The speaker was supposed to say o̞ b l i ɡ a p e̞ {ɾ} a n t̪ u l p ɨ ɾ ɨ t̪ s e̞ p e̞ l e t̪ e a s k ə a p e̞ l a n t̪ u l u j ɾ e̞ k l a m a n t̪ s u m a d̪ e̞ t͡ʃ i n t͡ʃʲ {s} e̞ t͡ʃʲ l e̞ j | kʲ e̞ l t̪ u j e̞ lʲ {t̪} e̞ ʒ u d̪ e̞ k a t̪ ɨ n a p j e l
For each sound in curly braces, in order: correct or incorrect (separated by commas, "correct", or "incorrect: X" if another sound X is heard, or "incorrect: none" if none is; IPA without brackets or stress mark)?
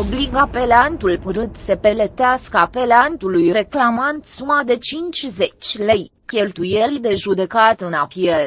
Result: incorrect: l, incorrect: z, incorrect: d̪